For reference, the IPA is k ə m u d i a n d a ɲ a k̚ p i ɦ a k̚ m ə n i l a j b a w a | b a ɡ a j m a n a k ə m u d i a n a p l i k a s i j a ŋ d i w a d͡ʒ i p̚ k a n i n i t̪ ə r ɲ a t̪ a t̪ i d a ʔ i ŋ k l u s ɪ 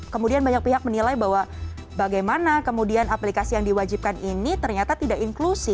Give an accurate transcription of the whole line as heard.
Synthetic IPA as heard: k ə m u d i a n b a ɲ a k̚ p i ɦ a k̚ m ə n i l a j b a w a | b a ɡ a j m a n a k ə m u d i a n a p l i k a s i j a ŋ d i w a d͡ʒ i p̚ k a n i n i t̪ ə r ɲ a t̪ a t̪ i d a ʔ i ŋ k l u s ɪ